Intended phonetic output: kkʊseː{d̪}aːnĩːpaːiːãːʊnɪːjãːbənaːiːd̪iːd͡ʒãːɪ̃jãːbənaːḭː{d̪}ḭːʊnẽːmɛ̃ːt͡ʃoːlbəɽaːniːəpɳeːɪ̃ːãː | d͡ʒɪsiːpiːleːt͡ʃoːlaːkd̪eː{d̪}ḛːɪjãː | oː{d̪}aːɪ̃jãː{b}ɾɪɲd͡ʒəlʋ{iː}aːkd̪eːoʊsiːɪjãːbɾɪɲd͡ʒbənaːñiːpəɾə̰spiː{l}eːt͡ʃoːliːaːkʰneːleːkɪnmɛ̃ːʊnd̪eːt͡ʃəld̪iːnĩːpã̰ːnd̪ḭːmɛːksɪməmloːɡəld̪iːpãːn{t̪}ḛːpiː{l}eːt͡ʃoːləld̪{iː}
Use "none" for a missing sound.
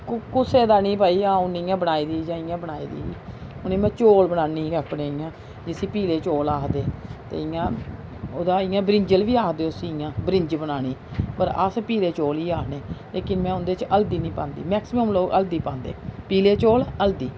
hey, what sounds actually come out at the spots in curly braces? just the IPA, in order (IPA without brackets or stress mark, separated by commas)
d̪, d̪, t̪, d̪, b, iː, l, d̪, l, iː